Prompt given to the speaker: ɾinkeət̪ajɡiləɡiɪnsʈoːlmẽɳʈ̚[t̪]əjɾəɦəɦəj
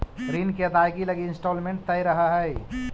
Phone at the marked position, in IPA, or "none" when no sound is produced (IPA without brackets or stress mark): t̪